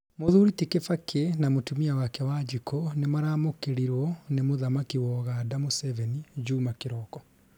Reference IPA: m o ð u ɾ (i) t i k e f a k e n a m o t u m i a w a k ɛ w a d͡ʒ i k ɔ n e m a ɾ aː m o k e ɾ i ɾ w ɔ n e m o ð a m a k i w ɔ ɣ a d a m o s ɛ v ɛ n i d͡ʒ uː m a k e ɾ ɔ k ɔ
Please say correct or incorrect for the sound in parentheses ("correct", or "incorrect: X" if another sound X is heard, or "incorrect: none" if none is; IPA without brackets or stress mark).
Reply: correct